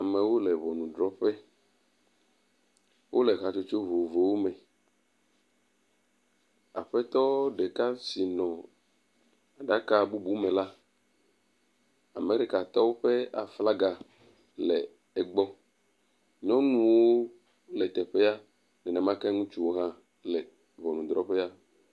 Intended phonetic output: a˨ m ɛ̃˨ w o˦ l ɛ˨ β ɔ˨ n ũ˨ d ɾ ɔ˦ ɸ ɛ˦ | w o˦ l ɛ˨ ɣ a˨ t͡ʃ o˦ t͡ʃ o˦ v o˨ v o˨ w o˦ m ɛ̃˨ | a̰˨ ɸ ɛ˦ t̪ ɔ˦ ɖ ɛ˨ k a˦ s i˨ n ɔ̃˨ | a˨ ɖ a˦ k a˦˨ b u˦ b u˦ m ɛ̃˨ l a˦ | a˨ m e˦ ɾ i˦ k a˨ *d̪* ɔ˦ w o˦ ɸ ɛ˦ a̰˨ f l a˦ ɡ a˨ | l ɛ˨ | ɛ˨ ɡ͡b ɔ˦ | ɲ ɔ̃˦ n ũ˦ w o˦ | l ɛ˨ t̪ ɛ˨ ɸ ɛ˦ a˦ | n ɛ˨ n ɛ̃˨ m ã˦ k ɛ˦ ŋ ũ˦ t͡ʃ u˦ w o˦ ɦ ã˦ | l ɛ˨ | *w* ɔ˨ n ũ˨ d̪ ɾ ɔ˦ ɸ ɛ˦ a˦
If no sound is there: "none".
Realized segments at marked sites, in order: t̪, v

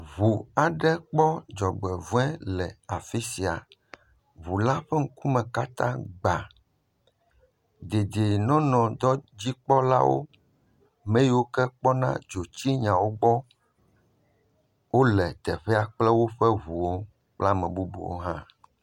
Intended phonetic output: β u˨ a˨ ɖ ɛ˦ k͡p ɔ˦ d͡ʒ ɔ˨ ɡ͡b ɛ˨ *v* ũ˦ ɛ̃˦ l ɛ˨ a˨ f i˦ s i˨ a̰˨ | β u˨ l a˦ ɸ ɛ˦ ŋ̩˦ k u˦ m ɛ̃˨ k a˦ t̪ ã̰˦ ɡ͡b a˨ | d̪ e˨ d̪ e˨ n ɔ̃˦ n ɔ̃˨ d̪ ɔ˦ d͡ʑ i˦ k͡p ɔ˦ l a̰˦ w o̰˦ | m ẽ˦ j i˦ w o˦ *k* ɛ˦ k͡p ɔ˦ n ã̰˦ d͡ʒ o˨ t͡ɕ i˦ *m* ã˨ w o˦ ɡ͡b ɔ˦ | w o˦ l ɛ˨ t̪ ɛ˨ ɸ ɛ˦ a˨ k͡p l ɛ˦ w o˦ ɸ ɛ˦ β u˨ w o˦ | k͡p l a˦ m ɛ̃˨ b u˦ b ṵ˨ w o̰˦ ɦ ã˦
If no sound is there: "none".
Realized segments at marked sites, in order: v, k, ɲ

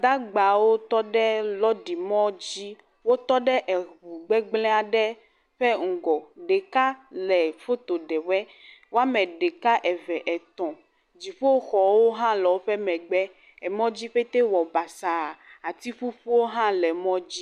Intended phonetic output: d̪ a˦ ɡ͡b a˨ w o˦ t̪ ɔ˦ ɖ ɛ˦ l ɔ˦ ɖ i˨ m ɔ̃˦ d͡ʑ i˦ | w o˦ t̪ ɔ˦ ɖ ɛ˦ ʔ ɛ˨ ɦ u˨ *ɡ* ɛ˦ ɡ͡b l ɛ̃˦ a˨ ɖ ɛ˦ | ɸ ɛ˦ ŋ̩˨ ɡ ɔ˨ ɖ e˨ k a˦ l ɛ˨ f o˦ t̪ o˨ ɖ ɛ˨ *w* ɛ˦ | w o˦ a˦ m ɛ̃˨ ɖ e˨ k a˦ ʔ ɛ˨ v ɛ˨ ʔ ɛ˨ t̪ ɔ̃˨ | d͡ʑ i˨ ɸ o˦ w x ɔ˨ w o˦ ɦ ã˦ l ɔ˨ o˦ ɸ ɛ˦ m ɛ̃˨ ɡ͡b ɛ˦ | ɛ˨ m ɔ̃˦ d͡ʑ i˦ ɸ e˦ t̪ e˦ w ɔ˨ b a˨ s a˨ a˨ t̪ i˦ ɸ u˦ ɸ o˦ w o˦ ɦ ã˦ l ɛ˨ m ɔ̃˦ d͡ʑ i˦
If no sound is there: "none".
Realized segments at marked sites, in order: ɡ͡b, w

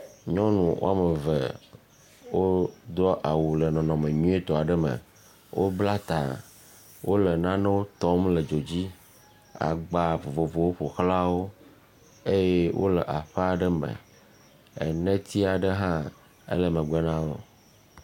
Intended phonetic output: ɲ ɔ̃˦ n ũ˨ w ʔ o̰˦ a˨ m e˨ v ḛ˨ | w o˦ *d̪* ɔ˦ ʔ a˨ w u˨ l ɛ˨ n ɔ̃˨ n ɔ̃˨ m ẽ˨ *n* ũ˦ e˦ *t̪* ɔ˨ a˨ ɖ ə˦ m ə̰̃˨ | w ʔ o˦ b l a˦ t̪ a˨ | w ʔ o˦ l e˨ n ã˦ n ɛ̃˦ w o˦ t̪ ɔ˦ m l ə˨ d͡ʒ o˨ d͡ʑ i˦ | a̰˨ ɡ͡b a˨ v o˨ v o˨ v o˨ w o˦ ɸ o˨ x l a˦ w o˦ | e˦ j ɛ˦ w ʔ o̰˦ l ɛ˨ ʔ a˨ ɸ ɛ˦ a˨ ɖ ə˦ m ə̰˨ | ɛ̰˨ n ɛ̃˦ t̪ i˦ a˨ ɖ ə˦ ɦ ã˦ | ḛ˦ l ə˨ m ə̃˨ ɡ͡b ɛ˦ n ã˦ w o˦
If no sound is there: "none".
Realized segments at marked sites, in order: d̪, ɲ, t̪

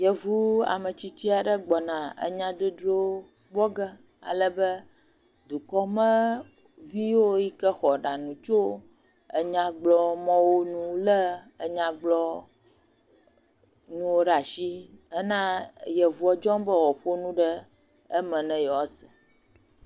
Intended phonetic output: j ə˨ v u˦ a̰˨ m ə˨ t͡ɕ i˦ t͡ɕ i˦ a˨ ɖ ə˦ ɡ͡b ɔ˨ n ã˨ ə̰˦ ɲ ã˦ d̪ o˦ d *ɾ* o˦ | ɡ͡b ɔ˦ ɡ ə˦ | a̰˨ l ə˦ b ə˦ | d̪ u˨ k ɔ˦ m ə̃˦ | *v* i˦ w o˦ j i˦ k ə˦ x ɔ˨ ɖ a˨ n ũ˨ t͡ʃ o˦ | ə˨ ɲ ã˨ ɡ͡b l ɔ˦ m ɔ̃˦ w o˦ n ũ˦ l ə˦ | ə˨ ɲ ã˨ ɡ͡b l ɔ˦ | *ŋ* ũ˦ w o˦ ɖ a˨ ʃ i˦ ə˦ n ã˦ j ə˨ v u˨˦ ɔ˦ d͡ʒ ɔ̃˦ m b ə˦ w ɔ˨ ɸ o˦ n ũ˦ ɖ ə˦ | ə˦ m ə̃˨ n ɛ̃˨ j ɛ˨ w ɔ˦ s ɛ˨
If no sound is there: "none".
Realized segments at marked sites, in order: ɾ, v, n

